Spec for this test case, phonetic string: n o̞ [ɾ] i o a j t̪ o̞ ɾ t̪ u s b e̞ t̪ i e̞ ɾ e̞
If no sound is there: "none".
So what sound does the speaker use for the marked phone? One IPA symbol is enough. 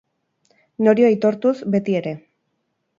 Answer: ɾ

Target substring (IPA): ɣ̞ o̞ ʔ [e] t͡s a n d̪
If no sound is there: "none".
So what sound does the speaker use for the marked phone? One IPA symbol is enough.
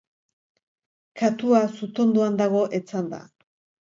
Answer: e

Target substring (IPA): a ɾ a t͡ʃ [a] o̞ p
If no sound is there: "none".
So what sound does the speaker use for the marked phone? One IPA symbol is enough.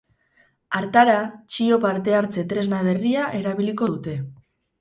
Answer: i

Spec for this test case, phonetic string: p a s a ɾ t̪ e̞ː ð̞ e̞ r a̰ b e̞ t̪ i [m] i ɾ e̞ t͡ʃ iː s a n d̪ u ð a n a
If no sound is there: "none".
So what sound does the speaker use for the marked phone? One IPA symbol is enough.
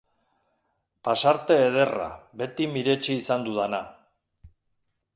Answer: m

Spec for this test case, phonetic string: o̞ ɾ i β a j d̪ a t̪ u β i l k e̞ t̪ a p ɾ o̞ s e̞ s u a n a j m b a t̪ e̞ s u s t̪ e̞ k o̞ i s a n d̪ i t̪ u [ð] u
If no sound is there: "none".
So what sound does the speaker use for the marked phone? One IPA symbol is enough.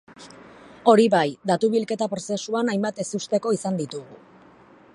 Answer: ɣ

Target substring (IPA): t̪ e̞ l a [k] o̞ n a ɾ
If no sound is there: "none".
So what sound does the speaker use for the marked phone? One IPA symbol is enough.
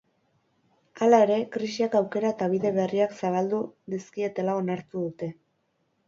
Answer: none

